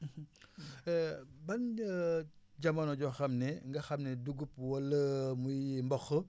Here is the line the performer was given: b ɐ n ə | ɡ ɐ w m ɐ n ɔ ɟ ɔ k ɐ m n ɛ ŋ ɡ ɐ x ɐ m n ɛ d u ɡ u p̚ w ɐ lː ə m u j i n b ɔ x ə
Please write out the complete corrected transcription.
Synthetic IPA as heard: b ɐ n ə | ɟ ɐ m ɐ n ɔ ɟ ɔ x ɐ m n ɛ ŋ ɡ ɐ x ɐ m n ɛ d u ɡ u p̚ w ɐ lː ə m u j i m b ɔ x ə